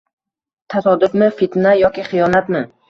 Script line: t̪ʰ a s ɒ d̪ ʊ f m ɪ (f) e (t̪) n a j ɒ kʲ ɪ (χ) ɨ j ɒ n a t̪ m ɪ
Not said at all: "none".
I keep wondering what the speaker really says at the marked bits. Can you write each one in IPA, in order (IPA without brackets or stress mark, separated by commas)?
f, t̪, χ